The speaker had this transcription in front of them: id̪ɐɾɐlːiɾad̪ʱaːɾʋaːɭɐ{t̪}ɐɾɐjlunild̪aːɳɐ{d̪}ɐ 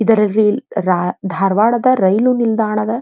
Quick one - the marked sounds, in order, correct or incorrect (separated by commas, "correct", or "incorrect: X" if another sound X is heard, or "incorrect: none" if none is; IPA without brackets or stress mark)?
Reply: incorrect: d̪, correct